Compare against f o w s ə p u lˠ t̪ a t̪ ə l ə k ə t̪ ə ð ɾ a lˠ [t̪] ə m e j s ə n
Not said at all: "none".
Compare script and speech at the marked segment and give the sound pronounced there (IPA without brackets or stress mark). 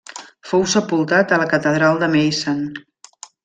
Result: d̪